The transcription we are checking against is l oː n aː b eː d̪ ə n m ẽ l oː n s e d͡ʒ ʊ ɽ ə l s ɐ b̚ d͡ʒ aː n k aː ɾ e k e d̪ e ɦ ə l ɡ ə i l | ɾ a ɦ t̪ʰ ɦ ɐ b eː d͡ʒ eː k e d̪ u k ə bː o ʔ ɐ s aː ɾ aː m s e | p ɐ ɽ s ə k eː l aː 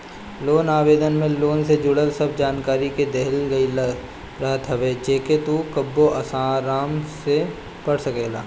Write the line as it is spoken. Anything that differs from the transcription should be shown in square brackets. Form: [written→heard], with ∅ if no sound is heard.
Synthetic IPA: l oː n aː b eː d̪ ə n m ẽ l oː n s e d͡ʒ ʊ ɽ ə l s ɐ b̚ d͡ʒ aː n k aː ɾ [e→i] k e d̪ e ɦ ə l ɡ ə i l | ɾ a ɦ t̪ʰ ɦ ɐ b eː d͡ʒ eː k e [d̪→t̪] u k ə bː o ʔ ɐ s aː ɾ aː m s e | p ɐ ɽ s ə k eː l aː